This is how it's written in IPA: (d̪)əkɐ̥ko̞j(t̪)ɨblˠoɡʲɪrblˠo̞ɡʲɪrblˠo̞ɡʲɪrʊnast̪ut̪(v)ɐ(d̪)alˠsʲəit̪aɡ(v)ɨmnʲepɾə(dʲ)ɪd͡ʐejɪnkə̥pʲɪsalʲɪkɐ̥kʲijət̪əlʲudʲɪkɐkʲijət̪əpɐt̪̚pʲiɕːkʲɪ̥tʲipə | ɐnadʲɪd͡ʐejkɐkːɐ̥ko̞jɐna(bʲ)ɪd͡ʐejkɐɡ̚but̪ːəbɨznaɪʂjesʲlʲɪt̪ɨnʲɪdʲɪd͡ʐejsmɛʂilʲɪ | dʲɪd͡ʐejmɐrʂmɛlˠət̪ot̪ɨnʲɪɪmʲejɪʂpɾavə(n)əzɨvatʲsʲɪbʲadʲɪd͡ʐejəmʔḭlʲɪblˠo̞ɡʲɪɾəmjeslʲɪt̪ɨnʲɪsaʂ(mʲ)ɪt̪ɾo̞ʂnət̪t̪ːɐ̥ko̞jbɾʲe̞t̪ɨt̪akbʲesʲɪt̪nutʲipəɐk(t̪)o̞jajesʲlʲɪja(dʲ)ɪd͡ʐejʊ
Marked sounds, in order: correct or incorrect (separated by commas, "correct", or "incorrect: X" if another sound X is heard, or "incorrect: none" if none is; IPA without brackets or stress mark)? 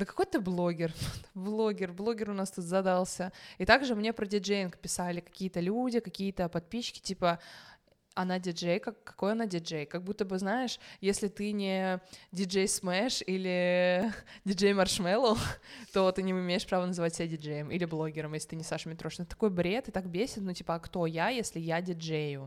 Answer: correct, correct, incorrect: z, correct, incorrect: ʐ, correct, incorrect: dʲ, correct, correct, correct, correct